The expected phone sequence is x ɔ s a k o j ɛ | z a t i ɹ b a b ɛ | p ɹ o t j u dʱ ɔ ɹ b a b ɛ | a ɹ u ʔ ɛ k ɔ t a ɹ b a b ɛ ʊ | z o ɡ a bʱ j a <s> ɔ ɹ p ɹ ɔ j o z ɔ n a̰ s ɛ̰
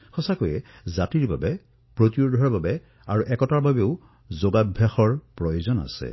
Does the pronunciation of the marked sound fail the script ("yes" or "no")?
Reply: yes